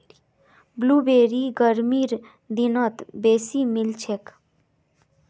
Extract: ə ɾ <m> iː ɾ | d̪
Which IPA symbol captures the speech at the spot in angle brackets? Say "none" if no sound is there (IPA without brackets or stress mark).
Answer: m